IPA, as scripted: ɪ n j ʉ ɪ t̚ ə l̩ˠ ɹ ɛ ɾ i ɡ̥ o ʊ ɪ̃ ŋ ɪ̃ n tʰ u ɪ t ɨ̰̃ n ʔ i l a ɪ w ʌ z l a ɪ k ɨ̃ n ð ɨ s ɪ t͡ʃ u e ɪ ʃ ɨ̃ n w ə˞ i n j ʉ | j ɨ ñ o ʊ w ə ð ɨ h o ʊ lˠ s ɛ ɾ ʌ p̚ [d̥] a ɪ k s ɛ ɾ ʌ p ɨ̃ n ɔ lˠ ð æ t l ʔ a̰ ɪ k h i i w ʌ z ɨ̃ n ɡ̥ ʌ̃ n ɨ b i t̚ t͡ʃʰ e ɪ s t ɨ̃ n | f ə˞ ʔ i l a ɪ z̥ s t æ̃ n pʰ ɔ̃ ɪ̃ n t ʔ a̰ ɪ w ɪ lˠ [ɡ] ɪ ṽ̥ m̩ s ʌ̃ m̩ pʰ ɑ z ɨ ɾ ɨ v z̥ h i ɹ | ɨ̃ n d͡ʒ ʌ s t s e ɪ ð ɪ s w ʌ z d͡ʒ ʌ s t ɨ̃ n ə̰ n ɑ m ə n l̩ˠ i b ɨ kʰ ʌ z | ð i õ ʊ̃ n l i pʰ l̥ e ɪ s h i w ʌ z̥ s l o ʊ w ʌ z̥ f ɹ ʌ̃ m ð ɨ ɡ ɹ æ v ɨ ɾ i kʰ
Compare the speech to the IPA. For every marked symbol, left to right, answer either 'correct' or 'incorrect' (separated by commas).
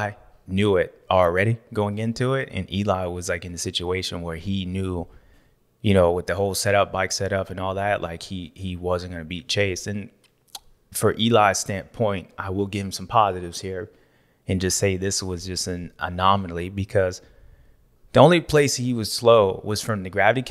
incorrect, correct